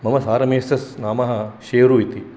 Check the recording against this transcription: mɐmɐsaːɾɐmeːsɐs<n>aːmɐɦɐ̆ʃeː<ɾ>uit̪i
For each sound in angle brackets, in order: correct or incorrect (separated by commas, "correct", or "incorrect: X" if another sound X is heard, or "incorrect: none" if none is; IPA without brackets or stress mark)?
correct, correct